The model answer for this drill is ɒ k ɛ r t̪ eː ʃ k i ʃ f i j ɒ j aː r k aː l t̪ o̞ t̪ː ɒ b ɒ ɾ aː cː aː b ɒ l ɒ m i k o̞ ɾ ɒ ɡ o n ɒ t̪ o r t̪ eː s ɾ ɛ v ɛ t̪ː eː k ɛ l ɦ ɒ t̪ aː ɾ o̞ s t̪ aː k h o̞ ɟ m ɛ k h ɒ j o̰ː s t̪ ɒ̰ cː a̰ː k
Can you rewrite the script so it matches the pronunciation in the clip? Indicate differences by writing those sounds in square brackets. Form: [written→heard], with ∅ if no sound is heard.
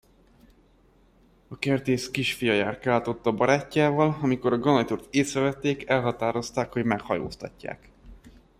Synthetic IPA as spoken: ɒ k ɛ r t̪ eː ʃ k i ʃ f i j ɒ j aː r k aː l t̪ o̞ t̪ː ɒ b ɒ ɾ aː cː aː [b→v] ɒ l ɒ m i k o̞ ɾ ɒ ɡ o n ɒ t̪ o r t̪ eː s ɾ ɛ v ɛ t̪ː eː k ɛ l ɦ ɒ t̪ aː ɾ o̞ s t̪ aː k h o̞ ɟ m ɛ k h ɒ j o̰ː s t̪ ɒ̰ cː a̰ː k